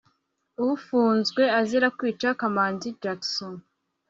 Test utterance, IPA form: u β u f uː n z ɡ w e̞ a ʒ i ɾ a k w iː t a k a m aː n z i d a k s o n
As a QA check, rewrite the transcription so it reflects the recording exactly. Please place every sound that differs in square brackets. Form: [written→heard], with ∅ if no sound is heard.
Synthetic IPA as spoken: u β u f uː n z ɡ w e̞ a [ʒ→z] i ɾ a k w iː [t→t͡ʃ] a k a m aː n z i [d→d͡ʒ] a k s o n